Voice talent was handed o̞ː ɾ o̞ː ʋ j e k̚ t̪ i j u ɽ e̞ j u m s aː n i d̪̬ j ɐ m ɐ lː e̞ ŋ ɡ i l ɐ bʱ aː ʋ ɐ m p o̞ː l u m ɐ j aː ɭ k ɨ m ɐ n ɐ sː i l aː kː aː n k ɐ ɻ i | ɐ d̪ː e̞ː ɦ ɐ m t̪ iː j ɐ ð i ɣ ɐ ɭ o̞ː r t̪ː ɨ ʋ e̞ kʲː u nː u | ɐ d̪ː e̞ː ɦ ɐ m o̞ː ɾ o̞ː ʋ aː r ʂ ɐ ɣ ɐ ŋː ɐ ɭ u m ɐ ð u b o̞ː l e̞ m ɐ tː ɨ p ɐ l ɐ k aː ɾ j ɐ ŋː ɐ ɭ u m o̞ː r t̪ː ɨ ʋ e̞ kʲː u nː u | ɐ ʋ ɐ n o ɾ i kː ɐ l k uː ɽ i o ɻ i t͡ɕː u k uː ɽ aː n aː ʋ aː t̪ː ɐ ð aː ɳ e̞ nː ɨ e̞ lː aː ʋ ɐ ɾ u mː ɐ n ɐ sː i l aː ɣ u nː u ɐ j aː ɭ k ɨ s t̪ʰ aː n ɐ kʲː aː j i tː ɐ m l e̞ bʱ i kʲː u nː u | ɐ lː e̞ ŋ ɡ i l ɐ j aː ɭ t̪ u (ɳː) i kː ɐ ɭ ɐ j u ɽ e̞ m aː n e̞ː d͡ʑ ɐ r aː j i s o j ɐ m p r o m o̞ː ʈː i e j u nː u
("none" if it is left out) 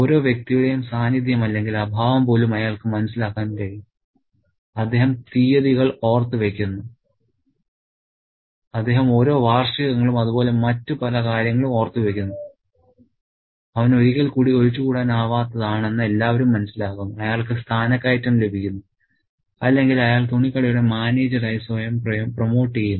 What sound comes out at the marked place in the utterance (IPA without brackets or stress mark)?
ɳ